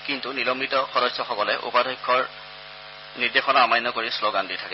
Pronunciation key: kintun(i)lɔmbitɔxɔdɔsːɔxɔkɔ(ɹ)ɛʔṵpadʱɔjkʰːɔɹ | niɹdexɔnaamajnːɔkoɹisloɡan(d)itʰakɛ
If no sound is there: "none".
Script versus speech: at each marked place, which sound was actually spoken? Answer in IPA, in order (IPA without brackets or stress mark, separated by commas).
i, l, d